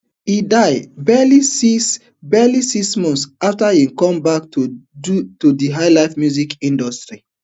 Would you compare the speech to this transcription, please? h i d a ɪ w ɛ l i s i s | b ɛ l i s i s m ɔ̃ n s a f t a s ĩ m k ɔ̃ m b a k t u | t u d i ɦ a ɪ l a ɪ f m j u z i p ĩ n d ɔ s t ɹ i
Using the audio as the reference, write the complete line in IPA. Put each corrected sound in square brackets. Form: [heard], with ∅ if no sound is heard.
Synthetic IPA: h i d a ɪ [b] ɛ l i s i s | b ɛ l i s i s m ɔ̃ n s a f t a [h] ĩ m k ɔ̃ m b a k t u | t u d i ɦ a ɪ l a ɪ f m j u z i [k] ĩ n d ɔ s t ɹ i